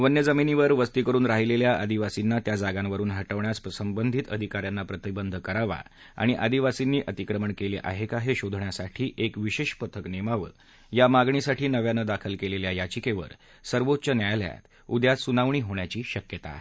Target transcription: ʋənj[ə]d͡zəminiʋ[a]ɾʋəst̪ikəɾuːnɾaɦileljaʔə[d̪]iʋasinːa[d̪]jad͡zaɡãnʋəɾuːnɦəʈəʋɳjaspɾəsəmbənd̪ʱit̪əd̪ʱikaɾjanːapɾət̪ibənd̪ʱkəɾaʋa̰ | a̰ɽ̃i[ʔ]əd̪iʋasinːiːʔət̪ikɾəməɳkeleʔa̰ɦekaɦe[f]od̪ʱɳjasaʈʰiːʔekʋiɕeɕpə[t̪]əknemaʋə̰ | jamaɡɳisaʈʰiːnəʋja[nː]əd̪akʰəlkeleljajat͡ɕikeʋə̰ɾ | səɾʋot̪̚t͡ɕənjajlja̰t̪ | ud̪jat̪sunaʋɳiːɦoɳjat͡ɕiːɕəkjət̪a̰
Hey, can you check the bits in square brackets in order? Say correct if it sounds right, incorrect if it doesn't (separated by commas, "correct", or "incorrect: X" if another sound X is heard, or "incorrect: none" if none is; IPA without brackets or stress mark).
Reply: correct, incorrect: ə, correct, incorrect: t̪, correct, incorrect: ɕ, incorrect: t̪ʰ, incorrect: n